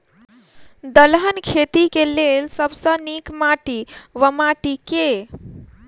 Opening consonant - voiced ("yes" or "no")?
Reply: yes